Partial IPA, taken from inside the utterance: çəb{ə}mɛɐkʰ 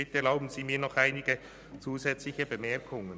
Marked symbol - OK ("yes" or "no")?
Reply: yes